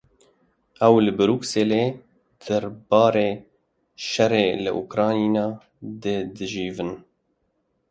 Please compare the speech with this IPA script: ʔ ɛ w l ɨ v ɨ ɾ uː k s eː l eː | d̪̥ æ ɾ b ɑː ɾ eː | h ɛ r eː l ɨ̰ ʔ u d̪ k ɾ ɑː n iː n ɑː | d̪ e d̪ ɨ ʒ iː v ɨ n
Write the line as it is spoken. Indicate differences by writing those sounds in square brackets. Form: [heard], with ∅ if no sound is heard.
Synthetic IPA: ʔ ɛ w l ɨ [b] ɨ ɾ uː k s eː l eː | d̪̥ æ ɾ b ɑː ɾ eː | [ʃ] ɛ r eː l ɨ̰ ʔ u [∅] k ɾ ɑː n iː n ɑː | d̪ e d̪ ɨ ʒ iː v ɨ n